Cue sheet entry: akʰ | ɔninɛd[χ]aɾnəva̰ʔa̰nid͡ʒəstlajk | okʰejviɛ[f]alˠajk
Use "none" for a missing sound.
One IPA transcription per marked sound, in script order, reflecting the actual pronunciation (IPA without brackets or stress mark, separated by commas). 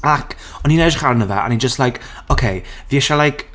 χ, ʃ